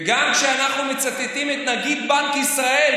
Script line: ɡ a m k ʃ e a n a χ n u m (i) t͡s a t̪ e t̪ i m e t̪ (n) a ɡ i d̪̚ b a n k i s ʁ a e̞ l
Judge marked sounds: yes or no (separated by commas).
no, yes